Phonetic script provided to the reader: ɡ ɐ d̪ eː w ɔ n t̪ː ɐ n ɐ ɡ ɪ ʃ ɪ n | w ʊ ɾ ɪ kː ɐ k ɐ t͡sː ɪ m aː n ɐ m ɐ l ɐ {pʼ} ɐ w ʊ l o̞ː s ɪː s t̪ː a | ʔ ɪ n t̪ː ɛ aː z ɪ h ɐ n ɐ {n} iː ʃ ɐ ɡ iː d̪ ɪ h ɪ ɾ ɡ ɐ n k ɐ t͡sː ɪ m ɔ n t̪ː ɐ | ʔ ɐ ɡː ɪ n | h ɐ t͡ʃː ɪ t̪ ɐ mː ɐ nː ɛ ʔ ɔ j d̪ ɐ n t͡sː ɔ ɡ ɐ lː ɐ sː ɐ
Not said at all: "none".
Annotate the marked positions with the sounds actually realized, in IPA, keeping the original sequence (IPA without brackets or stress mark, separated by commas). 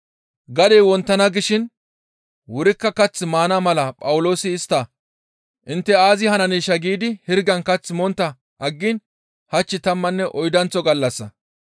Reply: pʼ, n